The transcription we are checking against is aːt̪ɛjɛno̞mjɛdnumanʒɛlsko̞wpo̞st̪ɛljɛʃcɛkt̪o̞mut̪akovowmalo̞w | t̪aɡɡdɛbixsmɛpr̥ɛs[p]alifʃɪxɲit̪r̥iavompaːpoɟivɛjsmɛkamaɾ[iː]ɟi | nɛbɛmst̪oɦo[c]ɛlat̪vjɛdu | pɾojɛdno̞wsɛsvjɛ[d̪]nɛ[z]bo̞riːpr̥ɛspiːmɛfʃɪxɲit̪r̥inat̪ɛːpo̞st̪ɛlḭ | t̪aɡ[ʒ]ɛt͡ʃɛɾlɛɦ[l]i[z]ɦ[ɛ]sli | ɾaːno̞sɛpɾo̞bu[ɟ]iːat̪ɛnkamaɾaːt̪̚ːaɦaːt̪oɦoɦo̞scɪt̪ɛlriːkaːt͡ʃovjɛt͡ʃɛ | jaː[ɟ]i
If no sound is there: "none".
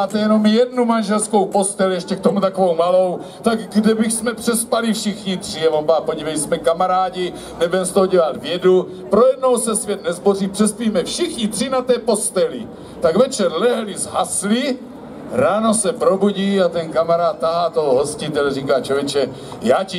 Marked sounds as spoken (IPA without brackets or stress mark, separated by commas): p, aː, ɟ, t̪, z, v, l, z, a, ɟ, c